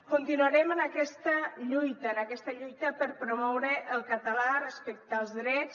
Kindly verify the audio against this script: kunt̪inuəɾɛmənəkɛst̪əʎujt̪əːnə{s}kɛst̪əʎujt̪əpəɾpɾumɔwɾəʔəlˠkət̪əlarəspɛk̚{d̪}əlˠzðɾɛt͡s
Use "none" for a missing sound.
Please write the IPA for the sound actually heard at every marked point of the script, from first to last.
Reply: none, t̪

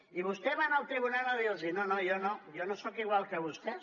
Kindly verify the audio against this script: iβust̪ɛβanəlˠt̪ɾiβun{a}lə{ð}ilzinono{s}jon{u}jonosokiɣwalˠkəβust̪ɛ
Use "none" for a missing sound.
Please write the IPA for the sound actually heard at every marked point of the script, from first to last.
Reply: a, ð, none, o

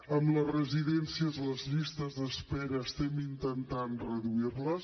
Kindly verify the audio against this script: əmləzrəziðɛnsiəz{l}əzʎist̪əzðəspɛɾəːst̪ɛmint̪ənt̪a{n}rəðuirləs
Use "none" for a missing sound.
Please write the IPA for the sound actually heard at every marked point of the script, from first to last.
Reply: l, n

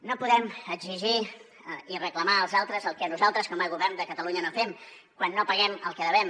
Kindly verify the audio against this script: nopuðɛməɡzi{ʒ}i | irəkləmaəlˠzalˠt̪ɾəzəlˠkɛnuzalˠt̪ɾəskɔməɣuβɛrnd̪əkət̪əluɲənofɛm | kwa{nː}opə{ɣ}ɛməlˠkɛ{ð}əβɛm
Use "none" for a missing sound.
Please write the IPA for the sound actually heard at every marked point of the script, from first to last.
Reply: ʒ, nː, ɣ, ð

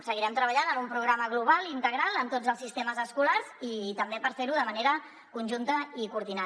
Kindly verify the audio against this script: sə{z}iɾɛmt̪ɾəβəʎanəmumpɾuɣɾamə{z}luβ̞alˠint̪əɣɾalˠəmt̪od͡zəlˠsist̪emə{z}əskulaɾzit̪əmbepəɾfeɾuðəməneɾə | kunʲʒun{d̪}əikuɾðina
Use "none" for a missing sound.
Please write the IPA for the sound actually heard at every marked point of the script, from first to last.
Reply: ɣ, ɣ, z, t̪

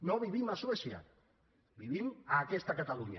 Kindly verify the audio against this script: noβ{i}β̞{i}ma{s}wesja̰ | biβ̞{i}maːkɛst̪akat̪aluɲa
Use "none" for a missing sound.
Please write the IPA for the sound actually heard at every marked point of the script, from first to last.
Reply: i, i, s, i

